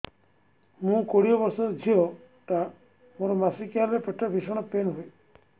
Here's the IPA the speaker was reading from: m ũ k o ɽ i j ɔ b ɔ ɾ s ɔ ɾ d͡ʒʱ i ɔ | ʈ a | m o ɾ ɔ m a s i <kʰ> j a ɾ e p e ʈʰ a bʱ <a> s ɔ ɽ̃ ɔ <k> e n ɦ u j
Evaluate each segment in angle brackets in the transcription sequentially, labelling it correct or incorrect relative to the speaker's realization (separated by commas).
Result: incorrect, incorrect, incorrect